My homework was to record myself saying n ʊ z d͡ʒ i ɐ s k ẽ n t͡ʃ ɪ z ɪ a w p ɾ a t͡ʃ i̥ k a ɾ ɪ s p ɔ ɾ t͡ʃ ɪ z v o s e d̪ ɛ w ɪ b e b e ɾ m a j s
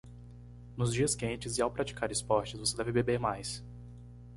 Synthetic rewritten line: n ʊ z d͡ʒ i ɐ s k ẽ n t͡ʃ ɪ z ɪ a w p ɾ a t͡ʃ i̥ k a ɾ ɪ s p ɔ ɾ t͡ʃ ɪ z v o s e d̪ ɛ v ɪ b e b e ɾ m a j s